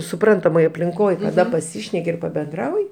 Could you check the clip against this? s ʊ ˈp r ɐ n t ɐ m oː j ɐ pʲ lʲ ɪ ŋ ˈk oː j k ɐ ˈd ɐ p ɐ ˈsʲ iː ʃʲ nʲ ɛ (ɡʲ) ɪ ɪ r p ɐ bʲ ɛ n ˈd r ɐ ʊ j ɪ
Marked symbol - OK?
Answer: no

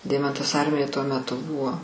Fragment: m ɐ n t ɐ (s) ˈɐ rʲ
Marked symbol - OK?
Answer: yes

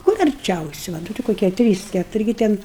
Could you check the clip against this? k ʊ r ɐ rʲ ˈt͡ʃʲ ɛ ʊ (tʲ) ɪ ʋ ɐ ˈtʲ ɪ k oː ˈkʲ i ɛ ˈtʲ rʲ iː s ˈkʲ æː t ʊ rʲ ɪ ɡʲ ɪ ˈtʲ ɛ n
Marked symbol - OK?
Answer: no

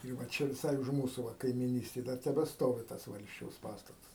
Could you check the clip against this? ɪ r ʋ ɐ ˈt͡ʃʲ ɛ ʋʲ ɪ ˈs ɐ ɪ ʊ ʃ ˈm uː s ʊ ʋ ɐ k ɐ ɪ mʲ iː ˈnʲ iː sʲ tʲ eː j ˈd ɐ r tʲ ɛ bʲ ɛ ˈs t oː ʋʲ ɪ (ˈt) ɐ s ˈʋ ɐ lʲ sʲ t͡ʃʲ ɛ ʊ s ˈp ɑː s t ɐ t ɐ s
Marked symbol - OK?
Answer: yes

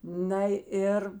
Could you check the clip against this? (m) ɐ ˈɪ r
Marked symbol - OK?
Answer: no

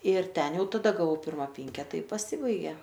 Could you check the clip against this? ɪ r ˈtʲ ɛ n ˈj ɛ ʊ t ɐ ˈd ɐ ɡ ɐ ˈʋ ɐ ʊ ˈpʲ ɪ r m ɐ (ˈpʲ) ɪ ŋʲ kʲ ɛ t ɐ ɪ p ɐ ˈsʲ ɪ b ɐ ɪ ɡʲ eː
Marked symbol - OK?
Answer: yes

